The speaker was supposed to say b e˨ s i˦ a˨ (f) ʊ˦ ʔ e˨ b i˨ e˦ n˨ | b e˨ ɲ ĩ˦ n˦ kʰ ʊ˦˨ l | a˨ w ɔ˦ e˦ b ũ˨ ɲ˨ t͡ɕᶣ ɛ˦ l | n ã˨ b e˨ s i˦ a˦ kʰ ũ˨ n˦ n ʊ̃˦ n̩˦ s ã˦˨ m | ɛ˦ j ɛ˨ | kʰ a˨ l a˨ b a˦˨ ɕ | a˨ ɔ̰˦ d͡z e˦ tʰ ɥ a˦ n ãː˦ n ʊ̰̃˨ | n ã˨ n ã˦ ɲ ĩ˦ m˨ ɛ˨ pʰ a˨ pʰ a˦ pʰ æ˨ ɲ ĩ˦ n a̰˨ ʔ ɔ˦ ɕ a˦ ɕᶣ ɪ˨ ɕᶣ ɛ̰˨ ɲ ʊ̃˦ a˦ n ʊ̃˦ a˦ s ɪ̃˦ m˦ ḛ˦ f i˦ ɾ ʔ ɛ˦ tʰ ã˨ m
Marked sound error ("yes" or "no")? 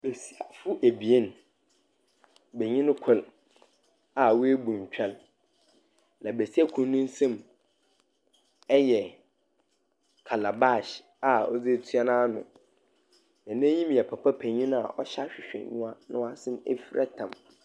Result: no